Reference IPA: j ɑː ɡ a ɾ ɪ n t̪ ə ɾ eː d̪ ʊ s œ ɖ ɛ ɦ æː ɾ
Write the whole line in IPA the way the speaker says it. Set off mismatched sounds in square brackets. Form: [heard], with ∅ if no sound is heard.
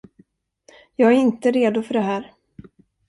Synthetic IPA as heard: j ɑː ɡ [æ] ɾ ɪ n t̪ ə ɾ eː d̪ ʊ [f] œ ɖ ɛ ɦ æː ɾ